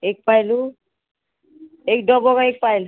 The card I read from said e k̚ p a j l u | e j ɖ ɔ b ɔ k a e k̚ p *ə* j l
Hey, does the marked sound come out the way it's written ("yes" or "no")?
no